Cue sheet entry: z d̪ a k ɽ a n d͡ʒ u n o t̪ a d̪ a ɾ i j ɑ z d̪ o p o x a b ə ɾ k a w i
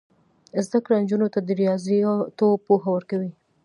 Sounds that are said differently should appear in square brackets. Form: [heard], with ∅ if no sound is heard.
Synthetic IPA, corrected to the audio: z d̪ a k ɽ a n d͡ʒ u n o t̪ a d̪ [ə] ɾ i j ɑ z [t̪] o p o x a [w] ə ɾ k a w i